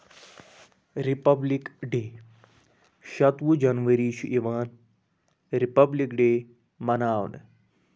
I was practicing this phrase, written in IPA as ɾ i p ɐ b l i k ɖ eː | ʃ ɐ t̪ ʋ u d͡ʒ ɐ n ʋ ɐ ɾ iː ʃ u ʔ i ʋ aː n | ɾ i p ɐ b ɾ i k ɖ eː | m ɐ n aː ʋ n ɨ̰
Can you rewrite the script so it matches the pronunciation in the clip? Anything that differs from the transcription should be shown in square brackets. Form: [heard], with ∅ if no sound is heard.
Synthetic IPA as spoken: ɾ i p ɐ b l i k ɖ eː | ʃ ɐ t̪ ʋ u d͡ʒ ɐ n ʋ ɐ ɾ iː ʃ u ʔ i ʋ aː n | ɾ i p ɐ b [l] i k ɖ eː | m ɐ n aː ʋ n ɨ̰